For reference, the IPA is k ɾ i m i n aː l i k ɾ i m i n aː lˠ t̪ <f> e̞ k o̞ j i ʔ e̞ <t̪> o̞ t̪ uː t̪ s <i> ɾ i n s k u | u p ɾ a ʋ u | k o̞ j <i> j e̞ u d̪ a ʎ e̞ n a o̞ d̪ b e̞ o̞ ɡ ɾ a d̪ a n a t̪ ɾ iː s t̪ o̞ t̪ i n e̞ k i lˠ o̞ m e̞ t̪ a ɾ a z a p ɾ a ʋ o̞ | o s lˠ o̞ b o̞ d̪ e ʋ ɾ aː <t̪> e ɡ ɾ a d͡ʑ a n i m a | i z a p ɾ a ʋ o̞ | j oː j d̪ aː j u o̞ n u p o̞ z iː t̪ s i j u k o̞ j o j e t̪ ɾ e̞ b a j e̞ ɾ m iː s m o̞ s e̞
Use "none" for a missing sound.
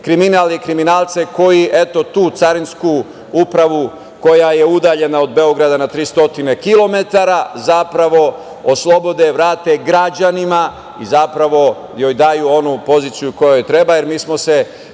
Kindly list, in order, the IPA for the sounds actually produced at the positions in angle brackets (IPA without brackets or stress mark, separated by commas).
s, t̪, a, a, t̪